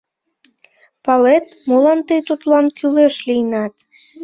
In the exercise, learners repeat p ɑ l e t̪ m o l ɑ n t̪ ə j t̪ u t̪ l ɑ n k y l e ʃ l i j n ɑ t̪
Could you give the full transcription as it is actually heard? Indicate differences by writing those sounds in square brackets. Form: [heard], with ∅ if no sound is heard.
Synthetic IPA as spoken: p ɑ l e t̪ m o l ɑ n t̪ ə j t̪ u t̪ l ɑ n k y l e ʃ l i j n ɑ t̪

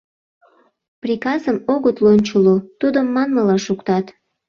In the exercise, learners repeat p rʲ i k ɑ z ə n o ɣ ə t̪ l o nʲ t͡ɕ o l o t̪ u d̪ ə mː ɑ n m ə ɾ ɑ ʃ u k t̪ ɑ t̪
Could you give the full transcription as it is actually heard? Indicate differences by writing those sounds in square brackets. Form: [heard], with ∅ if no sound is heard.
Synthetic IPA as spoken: p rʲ i k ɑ z ə [m] o ɣ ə t̪ l o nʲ t͡ɕ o l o t̪ u d̪ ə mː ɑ n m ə [l] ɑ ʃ u k t̪ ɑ t̪

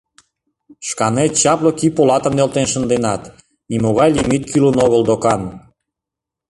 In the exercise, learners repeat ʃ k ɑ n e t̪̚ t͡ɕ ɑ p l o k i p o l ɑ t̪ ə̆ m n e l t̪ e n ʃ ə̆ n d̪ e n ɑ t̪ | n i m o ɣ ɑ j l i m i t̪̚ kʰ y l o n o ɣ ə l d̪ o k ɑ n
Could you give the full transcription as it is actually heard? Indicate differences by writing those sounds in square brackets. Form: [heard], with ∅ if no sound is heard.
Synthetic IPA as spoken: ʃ k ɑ n e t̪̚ t͡ɕ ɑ p l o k i p o l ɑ t̪ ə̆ m n e l t̪ e n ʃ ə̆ n d̪ e n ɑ t̪ | n i m o ɣ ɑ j l i m i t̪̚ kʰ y l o n o ɣ ə l d̪ o k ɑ n

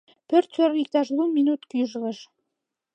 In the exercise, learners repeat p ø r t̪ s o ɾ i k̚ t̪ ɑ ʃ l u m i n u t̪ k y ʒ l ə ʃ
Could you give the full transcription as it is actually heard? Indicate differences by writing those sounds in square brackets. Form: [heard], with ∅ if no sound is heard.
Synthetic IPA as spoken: p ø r t̪ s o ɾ i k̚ t̪ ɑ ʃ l u m i n u t̪ k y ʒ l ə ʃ

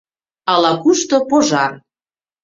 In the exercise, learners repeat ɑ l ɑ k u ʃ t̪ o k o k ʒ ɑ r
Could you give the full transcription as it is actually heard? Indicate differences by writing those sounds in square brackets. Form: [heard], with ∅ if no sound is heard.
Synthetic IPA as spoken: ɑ l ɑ k u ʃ t̪ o [p] o [∅] ʒ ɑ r

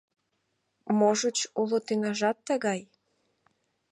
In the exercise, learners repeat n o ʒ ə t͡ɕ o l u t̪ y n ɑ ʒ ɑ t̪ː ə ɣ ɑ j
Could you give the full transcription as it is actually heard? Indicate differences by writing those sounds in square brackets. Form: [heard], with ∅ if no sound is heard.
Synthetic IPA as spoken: [m] o ʒ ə t͡ɕ [u] l [o] t̪ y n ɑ ʒ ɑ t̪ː ə ɣ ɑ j

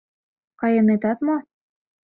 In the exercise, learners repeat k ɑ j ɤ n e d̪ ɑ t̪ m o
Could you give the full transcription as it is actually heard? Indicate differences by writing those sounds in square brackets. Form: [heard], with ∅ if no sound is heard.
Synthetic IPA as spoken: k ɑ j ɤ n e [t̪] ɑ t̪ m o

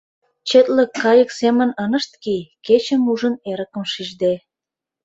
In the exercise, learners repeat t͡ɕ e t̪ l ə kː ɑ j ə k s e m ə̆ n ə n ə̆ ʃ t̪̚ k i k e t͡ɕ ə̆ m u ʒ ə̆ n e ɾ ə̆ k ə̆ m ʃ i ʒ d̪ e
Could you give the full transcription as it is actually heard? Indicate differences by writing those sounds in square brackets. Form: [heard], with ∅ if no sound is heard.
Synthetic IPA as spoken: t͡ɕ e t̪ l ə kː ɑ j ə k s e m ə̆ n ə n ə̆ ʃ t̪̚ k i k e t͡ɕ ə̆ m u ʒ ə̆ n e ɾ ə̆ k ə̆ m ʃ i ʒ d̪ e

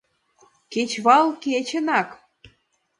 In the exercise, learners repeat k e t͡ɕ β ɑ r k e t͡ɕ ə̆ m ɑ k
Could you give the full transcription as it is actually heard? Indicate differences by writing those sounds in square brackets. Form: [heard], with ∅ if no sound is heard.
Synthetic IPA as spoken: k e t͡ɕ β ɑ [l] k e t͡ɕ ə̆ [n] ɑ k

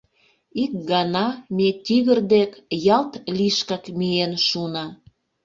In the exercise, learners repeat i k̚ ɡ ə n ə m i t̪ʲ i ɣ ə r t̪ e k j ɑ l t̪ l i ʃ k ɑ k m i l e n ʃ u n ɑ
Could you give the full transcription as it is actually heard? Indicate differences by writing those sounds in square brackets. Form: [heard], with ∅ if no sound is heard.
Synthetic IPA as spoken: i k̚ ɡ [ɑ] n [ɑ] m [e] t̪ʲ i ɣ ə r [d̪] e k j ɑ l t̪ l i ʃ k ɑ k m i [∅] e n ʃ u n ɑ

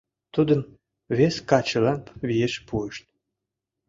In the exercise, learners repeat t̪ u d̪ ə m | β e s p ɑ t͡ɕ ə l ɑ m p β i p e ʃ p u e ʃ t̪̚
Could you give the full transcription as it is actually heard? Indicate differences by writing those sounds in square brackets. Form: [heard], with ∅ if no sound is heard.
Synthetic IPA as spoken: t̪ u d̪ ə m | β e s [k] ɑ t͡ɕ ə l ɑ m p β i [∅] e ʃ p u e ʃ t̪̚

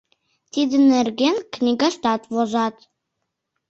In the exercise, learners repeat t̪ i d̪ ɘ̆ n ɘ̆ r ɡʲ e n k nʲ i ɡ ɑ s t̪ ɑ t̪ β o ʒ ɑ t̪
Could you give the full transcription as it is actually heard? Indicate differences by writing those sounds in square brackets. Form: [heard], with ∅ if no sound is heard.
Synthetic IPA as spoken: t̪ i d̪ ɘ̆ n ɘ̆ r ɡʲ e n k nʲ i ɡ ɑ [ʃ] t̪ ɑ t̪ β o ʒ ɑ t̪

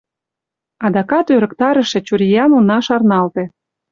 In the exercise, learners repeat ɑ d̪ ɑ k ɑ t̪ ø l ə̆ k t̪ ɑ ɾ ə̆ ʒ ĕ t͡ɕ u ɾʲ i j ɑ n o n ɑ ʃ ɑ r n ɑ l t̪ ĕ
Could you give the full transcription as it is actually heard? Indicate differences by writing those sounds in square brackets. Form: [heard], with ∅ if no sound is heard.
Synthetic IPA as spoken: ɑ d̪ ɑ k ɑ t̪ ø [ɾ] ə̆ k t̪ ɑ ɾ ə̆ [ʃ] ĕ t͡ɕ u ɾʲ i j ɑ n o n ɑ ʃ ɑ r n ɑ l t̪ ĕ

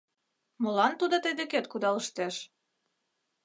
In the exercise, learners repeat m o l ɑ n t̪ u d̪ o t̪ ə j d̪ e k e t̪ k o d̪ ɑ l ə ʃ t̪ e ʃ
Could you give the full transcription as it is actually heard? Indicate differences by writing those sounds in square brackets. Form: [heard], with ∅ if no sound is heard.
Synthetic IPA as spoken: m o l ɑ n t̪ u d̪ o t̪ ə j d̪ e k e t̪ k [u] d̪ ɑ l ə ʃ t̪ e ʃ

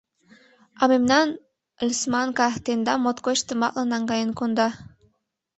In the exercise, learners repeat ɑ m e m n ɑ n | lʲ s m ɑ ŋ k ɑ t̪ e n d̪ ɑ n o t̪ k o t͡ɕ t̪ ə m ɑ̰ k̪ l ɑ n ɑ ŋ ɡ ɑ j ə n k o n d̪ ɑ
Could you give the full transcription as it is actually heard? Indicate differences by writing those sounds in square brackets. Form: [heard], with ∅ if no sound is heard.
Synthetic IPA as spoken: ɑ m e m n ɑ n | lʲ s m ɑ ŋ k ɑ t̪ e n d̪ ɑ [m] o t̪ k o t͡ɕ t̪ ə m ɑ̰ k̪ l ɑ n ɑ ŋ ɡ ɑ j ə n k o n d̪ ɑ

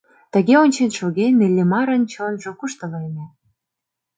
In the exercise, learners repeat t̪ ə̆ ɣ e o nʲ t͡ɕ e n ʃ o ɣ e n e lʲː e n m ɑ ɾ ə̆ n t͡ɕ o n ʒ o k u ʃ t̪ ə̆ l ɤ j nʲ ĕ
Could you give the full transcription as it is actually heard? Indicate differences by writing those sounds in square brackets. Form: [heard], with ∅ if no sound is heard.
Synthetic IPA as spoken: t̪ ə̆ ɣ e o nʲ t͡ɕ e n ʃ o ɣ e n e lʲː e [∅] m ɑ ɾ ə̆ n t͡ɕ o n ʒ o k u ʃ t̪ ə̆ l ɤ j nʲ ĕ

